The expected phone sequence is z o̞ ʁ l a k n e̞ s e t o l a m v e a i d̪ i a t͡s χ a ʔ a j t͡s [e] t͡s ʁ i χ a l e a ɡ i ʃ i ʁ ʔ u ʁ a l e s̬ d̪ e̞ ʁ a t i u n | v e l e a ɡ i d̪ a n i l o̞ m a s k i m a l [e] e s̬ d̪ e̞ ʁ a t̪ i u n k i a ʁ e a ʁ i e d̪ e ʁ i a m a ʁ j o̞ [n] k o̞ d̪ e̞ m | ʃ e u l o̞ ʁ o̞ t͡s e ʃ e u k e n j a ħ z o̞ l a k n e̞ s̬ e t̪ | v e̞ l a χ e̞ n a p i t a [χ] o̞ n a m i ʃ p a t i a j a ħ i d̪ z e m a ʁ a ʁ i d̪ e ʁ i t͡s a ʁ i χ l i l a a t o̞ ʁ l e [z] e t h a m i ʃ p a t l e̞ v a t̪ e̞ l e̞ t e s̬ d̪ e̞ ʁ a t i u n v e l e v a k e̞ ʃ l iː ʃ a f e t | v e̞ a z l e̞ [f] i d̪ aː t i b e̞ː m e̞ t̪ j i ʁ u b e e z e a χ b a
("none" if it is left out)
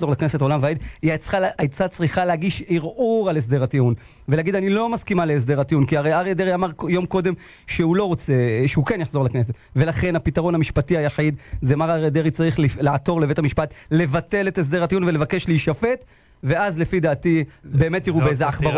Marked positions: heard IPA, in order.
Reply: a, e, m, ʁ, v, f

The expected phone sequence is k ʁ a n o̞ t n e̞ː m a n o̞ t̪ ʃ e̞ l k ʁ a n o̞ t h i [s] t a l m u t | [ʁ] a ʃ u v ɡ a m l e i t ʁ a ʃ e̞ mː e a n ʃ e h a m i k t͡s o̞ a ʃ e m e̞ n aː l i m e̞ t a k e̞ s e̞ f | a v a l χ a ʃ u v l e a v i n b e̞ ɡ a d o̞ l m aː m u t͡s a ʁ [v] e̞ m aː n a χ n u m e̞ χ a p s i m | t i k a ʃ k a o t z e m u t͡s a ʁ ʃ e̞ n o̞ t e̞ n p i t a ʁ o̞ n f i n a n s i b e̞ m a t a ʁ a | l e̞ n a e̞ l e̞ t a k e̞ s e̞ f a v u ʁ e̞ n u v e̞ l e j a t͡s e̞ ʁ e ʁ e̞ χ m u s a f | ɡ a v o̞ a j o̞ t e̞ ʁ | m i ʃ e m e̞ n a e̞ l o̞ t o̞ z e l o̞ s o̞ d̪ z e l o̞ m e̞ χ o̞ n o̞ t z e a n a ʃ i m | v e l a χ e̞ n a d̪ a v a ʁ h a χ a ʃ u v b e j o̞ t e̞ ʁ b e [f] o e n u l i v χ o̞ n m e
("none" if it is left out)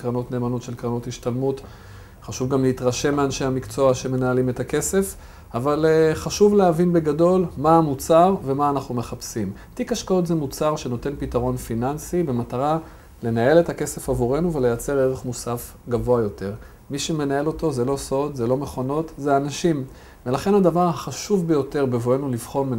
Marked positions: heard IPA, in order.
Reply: ʃ, χ, v, v

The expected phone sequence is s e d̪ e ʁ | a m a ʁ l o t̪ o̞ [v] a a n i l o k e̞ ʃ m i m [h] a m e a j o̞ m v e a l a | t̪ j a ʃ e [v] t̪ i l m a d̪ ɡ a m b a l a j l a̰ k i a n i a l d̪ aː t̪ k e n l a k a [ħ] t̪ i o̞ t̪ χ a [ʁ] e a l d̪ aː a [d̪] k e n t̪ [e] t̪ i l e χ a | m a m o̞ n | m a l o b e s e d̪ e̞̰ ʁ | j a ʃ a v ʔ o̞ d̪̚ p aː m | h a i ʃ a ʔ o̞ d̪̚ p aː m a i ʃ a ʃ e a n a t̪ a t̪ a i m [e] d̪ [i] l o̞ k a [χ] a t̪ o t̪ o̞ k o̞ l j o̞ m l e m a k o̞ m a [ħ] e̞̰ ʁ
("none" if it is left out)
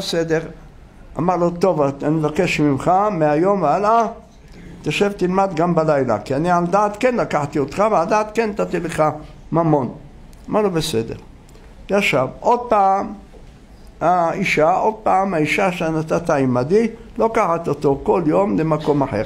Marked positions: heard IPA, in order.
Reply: v, χ, v, ħ, v, t̪, a, a, i, ħ, ħ

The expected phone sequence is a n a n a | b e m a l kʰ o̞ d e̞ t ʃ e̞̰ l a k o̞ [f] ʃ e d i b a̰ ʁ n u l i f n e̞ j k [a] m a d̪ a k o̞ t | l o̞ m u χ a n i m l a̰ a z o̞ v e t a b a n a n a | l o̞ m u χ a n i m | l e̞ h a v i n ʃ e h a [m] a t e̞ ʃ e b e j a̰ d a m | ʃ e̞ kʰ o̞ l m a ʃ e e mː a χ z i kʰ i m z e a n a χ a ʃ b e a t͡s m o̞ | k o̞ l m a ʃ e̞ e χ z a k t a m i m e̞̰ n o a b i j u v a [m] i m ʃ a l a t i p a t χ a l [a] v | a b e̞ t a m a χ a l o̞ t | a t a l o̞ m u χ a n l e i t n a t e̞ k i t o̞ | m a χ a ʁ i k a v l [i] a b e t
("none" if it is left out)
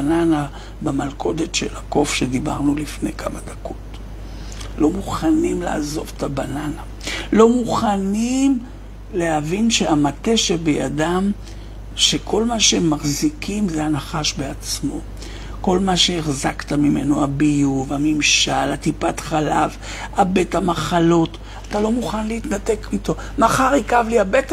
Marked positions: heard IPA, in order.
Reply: f, a, m, m, a, i

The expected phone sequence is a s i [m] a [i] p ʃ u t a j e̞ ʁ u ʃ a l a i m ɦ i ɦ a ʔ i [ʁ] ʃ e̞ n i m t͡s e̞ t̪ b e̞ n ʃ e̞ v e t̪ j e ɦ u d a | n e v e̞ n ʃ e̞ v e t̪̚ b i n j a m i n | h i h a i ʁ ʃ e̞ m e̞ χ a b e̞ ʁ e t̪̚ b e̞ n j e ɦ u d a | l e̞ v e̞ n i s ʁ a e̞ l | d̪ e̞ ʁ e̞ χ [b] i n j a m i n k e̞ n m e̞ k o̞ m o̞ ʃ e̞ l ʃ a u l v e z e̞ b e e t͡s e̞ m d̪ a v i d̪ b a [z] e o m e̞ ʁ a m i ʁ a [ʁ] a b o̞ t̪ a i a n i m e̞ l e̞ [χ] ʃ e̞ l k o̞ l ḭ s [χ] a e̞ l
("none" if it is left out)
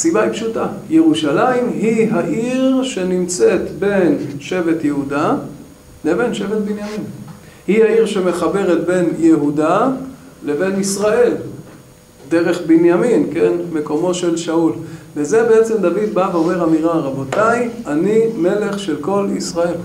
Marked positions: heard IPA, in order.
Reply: b, i, ʁ, b, v, ʁ, χ, ʁ

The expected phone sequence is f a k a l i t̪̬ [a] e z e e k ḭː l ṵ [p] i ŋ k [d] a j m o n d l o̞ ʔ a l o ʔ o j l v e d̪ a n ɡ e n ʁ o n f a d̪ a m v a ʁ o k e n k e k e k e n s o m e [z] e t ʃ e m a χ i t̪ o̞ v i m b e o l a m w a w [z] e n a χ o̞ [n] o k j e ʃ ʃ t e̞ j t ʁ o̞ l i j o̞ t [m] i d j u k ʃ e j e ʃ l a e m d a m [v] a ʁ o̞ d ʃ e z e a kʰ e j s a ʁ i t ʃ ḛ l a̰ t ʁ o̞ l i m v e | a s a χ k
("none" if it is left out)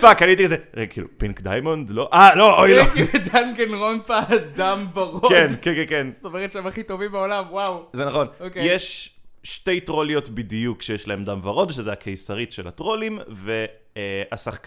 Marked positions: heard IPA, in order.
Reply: i, p, d, ʁ, z, n, b, v

